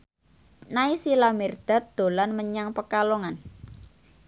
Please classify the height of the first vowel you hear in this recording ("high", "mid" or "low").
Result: low